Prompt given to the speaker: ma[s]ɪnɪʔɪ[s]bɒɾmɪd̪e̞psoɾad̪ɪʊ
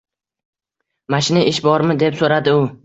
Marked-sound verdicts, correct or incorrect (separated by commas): incorrect, incorrect